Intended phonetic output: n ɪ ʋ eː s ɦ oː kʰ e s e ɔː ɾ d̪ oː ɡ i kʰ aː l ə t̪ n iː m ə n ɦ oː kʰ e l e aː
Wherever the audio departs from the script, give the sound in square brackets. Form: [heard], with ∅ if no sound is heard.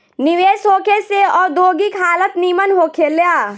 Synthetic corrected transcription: n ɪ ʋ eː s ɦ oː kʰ e s e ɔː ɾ d̪ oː ɡ i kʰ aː l ə t̪ n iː m ə n ɦ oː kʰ e l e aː